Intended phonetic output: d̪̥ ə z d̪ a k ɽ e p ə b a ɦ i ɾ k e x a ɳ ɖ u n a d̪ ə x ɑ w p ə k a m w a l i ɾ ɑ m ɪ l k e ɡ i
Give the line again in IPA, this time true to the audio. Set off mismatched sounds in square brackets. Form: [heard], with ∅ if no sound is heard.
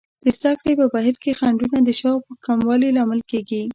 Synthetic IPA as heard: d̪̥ ə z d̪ a k ɽ e p ə b a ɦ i ɾ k e x a ɳ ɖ u n a d̪ ə [ʃ] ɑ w p ə k a m w [ɑ] l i [l] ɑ m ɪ l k e ɡ i

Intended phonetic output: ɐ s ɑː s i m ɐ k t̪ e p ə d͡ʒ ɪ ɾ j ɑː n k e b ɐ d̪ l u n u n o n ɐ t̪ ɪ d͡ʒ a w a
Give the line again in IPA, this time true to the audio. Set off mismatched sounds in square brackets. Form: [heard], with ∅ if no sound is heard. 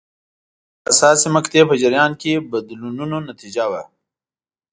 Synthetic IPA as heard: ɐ s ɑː s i m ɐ k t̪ e p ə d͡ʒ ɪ ɾ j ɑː n k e b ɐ d̪ l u n u n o n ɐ t̪ [i] d͡ʒ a w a

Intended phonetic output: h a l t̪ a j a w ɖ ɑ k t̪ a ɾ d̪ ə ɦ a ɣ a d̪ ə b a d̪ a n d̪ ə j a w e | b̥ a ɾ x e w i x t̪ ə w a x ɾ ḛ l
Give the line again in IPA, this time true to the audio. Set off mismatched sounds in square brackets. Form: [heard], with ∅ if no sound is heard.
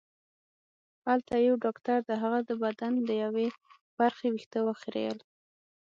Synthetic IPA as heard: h a l t̪ a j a w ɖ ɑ k t̪ a ɾ d̪ ə ɦ a ɣ a d̪ ə b a d̪ a n d̪ ə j a w e | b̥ a ɾ x e w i x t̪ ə w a x ɾ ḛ l

